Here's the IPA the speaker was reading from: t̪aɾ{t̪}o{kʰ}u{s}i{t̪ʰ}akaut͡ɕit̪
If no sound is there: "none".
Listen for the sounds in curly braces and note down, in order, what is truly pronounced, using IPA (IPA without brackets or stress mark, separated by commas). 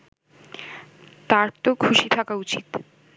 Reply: t̪, kʰ, ʃ, t̪ʰ